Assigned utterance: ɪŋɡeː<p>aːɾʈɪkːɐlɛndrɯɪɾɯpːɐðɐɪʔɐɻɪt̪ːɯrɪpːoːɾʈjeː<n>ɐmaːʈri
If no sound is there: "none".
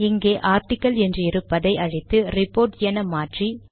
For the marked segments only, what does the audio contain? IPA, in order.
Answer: ʔ, n

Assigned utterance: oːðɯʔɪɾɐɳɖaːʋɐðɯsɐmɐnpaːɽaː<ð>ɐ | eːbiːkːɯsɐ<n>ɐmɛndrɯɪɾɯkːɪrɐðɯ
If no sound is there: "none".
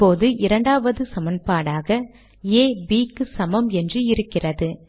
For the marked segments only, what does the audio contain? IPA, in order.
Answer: ɣ, m

